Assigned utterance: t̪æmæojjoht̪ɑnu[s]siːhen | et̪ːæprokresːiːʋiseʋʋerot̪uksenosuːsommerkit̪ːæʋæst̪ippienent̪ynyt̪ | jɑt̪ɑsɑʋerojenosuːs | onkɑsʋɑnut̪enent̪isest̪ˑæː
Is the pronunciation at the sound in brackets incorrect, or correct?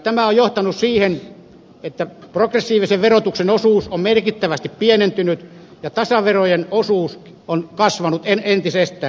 correct